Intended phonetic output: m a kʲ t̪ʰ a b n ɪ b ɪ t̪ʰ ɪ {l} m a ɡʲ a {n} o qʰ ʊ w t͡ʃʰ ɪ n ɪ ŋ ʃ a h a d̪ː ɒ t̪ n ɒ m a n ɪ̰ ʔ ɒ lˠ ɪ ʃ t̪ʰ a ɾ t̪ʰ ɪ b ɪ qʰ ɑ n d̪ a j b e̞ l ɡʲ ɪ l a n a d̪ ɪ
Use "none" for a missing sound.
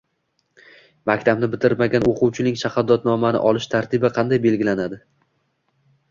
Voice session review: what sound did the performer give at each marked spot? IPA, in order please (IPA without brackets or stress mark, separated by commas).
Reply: ɾ, n